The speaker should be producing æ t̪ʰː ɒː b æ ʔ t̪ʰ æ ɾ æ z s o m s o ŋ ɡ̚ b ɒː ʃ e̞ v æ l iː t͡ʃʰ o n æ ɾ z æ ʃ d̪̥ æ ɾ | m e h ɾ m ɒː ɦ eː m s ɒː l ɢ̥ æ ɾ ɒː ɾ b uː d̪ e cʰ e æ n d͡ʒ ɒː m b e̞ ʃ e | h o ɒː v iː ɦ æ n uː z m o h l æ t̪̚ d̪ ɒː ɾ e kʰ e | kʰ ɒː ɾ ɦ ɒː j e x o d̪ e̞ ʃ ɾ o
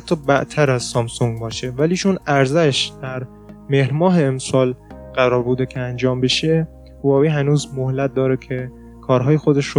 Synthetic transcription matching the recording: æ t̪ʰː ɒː b æ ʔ t̪ʰ æ ɾ æ z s ɒ m s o ŋ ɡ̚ b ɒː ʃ e̞ v æ l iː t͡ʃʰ o n æ ɾ z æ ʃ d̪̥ æ ɾ | m e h ɾ m ɒː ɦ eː m s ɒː l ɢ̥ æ ɾ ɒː ɾ b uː d̪ e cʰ e æ n d͡ʒ ɒː m b e̞ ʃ e | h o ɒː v iː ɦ æ n uː z m o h l æ t̪̚ d̪ ɒː ɾ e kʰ e | kʰ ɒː ɾ ɦ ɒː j e x o d̪ e̞ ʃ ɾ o